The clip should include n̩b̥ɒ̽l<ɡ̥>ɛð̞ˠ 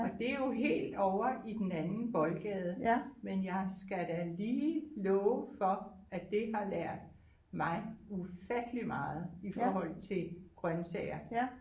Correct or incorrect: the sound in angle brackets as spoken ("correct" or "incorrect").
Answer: correct